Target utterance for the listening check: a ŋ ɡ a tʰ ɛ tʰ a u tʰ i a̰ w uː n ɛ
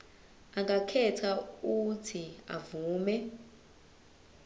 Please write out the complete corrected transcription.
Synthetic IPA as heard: a ŋ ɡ a kʰ ɛ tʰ a u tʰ i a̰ v uː m ɛ